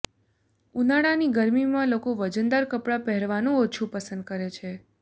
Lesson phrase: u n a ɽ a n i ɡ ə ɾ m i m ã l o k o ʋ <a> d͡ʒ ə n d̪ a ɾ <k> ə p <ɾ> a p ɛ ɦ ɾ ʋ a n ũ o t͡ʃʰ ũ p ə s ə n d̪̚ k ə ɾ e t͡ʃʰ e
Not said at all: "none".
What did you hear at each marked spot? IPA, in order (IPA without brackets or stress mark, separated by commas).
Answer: ə, k, ɽ